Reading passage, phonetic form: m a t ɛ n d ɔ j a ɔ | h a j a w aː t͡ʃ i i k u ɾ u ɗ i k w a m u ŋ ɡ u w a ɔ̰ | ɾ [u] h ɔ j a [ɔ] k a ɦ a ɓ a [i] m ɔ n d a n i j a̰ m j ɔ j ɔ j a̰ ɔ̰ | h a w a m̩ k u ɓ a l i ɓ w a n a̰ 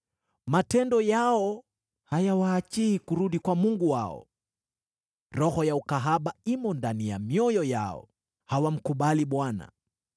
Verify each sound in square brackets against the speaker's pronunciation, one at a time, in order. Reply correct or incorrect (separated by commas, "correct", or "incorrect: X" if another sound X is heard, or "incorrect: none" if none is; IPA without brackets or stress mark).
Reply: incorrect: ɔ, incorrect: u, correct